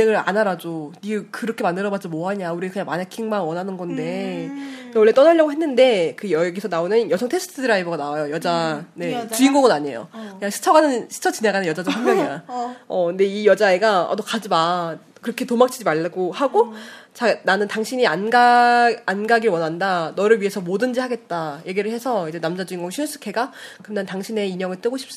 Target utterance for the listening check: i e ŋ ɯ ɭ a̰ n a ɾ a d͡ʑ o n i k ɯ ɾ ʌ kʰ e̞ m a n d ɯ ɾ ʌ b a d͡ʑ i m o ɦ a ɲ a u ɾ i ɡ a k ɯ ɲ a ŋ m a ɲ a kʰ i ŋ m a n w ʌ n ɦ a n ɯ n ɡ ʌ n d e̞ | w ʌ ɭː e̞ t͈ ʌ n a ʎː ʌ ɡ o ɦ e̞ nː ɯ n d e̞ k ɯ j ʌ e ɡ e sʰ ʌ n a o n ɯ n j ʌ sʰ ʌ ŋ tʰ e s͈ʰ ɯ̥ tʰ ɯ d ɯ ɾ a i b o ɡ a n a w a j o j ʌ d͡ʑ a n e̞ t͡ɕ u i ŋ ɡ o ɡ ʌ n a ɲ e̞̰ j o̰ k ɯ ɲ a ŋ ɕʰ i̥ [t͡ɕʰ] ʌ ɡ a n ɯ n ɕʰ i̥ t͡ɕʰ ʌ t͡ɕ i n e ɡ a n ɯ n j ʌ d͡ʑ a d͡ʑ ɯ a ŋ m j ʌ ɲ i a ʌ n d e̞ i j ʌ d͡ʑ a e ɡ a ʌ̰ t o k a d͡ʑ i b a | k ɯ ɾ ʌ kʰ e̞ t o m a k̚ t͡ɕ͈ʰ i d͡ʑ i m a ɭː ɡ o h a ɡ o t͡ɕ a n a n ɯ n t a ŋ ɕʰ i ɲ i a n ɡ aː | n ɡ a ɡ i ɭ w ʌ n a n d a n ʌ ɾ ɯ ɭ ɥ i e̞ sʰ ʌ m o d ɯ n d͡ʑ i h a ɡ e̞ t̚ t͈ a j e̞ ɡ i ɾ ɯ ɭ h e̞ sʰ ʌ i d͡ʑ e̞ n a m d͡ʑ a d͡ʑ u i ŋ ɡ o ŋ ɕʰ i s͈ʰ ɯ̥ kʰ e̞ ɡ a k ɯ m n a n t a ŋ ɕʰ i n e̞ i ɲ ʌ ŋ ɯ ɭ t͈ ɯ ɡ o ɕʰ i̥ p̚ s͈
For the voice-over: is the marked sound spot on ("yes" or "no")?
yes